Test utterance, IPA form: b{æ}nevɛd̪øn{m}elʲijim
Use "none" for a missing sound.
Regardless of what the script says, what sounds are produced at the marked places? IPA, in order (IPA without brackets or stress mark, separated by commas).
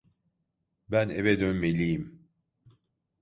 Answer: æ, m